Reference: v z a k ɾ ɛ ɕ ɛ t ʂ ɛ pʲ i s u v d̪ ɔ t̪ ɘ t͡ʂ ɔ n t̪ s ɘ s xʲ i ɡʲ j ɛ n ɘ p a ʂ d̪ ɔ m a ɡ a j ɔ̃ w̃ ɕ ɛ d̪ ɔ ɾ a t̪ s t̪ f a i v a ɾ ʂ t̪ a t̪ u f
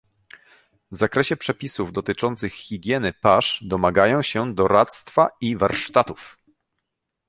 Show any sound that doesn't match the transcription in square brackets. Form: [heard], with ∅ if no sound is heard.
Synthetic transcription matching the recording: v z a k ɾ ɛ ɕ ɛ [p] ʂ ɛ pʲ i s u v d̪ ɔ t̪ ɘ t͡ʂ ɔ n t̪ s ɘ [x] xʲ i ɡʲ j ɛ n ɘ p a ʂ d̪ ɔ m a ɡ a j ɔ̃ w̃ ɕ ɛ d̪ ɔ ɾ a t̪ s t̪ f a i v a ɾ ʂ t̪ a t̪ u f